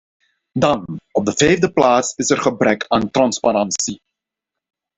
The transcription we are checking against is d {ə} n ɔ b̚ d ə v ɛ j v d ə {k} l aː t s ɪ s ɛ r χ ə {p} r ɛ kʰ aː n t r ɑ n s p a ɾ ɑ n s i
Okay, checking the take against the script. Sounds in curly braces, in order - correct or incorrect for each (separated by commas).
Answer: incorrect, incorrect, incorrect